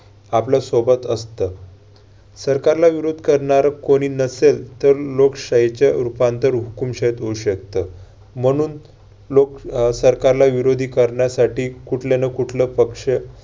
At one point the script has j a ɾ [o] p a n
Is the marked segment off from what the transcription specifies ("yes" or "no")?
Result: yes